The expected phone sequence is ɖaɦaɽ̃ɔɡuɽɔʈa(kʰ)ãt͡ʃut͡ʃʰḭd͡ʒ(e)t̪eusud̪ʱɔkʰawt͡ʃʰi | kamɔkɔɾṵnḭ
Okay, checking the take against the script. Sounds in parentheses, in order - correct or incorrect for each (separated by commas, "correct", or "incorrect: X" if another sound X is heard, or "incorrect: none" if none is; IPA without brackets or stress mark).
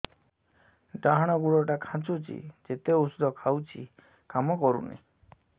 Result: correct, correct